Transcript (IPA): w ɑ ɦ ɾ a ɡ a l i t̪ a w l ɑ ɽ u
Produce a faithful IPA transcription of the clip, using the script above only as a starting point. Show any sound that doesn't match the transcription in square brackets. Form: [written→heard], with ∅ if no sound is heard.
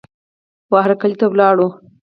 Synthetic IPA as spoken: w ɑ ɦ ɾ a [ɡ→k] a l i t̪ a w l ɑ ɽ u